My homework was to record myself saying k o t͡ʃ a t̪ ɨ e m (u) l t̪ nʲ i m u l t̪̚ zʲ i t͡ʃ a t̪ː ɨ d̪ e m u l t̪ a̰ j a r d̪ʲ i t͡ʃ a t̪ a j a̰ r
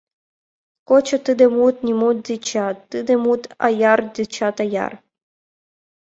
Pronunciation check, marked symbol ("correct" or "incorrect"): correct